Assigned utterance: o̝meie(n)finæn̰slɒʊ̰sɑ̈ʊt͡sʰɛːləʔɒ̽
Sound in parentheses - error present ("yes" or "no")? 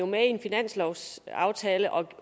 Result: no